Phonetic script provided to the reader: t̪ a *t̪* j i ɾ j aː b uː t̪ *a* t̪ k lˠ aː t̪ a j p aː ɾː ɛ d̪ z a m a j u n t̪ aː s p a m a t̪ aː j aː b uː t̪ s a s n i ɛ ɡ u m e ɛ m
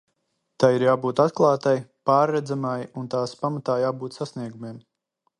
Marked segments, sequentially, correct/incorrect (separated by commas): incorrect, correct